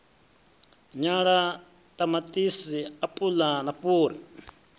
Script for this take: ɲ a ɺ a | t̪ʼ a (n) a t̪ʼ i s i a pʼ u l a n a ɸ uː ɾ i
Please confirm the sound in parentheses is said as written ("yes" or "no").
no